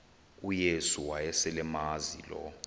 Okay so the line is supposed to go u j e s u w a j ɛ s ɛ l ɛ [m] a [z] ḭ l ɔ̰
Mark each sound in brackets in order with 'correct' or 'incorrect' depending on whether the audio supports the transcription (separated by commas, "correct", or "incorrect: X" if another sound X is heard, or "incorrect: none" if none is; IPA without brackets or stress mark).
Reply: correct, correct